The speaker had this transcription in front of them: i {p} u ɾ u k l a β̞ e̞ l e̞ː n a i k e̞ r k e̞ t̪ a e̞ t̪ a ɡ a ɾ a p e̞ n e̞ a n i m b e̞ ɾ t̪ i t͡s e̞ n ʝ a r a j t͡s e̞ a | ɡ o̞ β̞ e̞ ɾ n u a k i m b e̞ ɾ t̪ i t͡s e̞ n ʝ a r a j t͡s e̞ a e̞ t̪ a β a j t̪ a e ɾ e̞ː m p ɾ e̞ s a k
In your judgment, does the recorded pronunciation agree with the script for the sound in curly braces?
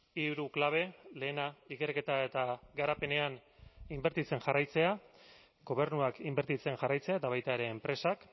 no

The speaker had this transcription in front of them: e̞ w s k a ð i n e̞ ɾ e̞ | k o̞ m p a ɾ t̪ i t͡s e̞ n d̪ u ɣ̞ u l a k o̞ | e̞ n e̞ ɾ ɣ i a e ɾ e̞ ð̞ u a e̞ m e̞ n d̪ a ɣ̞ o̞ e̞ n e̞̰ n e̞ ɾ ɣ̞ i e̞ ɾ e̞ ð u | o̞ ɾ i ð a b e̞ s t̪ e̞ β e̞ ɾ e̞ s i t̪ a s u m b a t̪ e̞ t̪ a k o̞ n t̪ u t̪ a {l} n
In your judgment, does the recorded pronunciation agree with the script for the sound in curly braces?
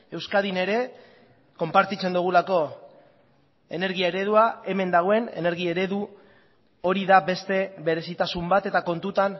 no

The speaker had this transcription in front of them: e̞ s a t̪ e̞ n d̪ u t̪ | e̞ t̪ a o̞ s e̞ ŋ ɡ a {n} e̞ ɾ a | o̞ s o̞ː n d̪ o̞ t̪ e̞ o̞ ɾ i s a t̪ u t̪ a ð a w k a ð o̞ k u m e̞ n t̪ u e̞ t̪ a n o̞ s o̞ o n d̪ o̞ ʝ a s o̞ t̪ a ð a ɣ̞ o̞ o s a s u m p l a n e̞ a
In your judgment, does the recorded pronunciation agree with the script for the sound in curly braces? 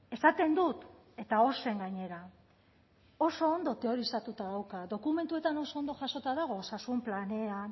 no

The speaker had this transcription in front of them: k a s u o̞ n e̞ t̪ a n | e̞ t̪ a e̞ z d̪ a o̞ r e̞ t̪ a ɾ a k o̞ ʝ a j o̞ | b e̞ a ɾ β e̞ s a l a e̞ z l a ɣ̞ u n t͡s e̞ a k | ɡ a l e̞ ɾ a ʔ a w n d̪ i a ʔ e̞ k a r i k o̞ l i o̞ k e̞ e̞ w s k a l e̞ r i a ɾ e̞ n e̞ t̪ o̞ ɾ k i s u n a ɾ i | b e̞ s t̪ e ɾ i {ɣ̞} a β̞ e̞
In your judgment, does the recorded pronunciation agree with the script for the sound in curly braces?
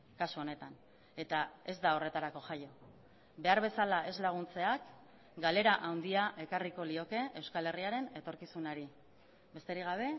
yes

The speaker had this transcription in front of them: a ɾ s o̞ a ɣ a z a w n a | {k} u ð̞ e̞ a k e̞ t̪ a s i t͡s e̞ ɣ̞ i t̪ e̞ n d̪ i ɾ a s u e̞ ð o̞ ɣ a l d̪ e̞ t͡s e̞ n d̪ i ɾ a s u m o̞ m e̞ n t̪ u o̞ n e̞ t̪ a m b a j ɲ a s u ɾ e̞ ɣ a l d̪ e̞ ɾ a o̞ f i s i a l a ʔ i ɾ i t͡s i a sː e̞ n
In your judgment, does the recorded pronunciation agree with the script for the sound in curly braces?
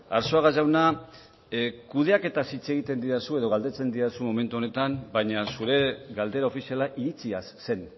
yes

